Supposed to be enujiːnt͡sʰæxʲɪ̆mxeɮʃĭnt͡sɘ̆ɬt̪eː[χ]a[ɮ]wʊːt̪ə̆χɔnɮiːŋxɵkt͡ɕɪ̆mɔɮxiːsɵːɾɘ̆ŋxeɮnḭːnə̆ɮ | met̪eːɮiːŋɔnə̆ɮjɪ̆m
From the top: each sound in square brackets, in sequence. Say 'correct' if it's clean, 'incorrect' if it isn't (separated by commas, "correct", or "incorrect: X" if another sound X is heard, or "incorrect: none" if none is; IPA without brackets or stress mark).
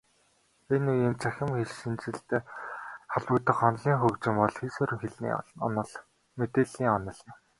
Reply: correct, correct